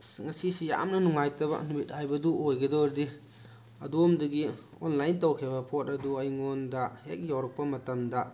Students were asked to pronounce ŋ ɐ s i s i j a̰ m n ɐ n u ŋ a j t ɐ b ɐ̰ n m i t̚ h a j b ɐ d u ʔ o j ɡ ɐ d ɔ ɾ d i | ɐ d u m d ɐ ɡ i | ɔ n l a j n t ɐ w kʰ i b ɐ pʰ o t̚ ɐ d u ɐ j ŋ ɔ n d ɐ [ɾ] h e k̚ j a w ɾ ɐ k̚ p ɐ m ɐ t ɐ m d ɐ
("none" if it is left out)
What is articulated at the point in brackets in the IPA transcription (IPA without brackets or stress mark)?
none